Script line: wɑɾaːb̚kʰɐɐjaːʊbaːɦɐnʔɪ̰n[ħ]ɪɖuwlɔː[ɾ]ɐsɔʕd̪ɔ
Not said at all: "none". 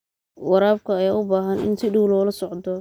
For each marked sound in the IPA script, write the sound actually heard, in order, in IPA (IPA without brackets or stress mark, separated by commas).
s, l